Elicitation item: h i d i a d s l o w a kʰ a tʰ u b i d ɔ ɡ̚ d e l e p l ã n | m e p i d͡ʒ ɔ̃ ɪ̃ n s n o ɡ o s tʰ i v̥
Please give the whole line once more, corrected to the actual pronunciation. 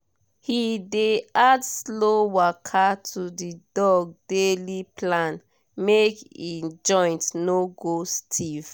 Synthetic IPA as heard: h i d e a d s l o w a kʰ a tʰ u d i d ɔ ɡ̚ d e l i p l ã n | m e k i d͡ʒ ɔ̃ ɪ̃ n t n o ɡ o s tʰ i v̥

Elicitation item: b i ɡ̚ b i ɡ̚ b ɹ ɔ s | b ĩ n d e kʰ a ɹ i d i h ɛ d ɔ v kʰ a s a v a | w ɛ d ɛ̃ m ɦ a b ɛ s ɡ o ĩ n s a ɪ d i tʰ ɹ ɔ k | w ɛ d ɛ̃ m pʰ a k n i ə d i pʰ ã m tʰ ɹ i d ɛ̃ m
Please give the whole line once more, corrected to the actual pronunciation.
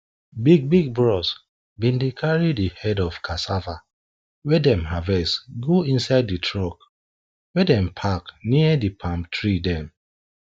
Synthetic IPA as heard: b i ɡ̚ b i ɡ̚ b ɹ ɔ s | b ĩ n d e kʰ a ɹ i d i h ɛ d ɔ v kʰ a s a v a | w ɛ d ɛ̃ m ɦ a v ɛ s ɡ o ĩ n s a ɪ d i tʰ ɹ ɔ k | w ɛ d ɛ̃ m pʰ a k n i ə d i pʰ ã m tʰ ɹ i d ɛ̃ m

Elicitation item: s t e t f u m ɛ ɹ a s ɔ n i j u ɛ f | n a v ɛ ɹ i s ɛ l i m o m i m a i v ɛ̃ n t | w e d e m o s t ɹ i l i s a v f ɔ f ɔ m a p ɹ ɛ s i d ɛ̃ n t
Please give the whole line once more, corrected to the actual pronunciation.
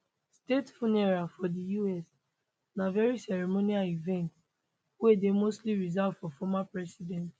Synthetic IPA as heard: s t e t f u n ɛ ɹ a f ɔ d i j u ɛ s | n a v ɛ ɹ i s ɛ ɹ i m o n i a i v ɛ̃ n t | w e d e m o s t l i ɹ i z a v f ɔ f ɔ m a p ɹ ɛ s i d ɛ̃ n t

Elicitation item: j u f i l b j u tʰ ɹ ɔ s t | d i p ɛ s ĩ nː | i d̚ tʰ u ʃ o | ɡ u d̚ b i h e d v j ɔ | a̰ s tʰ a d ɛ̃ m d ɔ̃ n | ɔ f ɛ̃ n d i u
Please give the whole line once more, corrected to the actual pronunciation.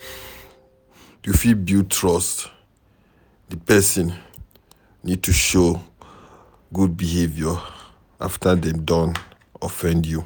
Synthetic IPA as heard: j u f i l b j u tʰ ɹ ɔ s t | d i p ɛ s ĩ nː | i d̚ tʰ u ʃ o | ɡ u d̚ b i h e v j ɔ | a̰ f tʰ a d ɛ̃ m d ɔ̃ n | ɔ f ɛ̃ n d j u

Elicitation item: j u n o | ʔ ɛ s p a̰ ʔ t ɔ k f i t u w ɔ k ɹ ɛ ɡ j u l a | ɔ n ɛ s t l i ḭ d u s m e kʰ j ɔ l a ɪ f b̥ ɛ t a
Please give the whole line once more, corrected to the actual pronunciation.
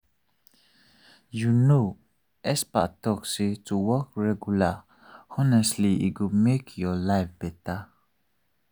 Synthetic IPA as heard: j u n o | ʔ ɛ s p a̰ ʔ t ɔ k s i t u w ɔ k ɹ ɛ ɡ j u l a | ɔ n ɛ s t l i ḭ ɡ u m e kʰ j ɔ l a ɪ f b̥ ɛ t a

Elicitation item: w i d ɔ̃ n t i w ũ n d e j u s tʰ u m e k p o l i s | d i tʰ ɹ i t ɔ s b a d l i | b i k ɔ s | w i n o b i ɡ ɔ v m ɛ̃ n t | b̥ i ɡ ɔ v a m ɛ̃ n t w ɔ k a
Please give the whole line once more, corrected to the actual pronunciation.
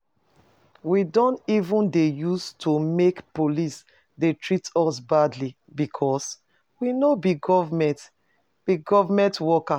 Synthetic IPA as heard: w i d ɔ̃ n t i v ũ n d e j u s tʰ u m e k p o l i s | d e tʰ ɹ i t ɔ s b a d l i | b i kʰ ɔ s | w i n o b i ɡ ɔ v m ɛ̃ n t | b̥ i ɡ ɔ v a m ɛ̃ n t w ɔ k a

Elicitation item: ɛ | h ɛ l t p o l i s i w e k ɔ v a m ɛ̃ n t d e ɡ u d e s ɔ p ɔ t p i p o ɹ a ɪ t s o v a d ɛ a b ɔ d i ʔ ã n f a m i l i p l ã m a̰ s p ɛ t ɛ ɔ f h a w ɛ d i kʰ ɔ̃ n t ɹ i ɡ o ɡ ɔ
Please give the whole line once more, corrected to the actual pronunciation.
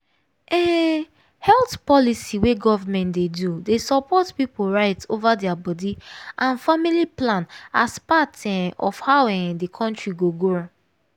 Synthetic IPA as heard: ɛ | h ɛ l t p ɔ l i s i w e ɡ ɔ v a m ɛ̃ n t d e d u d e s ɔ p ɔ t p i p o ɹ a ɪ t s o v a d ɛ a b ɔ d i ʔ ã n f a m i l i p l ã n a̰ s p a t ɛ ɔ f h a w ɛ d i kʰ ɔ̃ n t ɹ i ɡ o ɡ o

